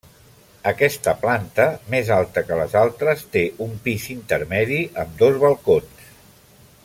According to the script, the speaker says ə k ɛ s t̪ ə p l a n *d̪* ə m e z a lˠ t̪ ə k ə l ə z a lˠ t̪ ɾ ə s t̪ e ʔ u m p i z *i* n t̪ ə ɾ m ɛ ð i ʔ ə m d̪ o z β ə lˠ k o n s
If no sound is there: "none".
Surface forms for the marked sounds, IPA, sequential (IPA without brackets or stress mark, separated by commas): t̪, i